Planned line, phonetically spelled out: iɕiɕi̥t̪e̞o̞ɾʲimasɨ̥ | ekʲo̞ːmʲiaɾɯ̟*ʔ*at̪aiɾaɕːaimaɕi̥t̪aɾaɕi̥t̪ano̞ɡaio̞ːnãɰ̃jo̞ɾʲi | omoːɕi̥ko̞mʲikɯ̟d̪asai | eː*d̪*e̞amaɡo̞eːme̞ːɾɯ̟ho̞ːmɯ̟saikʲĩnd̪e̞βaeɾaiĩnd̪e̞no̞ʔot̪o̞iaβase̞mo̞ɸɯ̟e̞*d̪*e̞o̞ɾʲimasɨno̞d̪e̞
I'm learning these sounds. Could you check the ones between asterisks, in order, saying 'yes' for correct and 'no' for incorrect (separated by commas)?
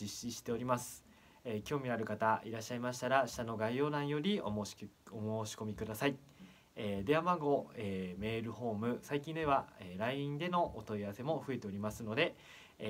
no, yes, no